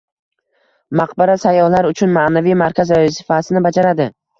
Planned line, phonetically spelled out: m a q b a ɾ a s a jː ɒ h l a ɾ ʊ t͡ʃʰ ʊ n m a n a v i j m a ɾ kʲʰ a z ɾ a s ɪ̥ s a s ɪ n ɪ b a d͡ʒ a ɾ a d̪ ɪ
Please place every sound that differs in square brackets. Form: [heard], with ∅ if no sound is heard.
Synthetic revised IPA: m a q b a ɾ a s a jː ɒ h l a ɾ ʊ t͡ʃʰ ʊ n m a n a v i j m a ɾ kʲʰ a z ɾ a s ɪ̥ [f] a s ɪ n ɪ b a d͡ʒ a ɾ a d̪ ɪ